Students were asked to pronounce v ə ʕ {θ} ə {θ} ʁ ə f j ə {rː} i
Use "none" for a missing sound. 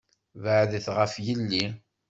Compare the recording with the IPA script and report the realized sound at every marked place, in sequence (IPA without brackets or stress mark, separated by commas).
ð, θ, lː